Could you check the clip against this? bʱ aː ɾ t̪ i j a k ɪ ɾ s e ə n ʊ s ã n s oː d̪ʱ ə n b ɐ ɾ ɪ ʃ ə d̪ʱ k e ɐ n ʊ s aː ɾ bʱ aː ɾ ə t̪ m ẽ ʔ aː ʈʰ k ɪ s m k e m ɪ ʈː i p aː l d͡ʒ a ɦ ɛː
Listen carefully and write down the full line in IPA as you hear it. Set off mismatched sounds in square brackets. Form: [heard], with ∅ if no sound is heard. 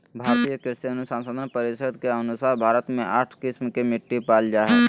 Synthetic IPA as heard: bʱ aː ɾ t̪ i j [ə] k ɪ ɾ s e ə n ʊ s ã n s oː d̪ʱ ə n [p] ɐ ɾ ɪ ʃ ə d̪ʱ k e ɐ n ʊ s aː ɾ bʱ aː ɾ ə t̪ m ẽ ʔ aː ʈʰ k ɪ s m k e m ɪ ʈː i p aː l d͡ʒ a ɦ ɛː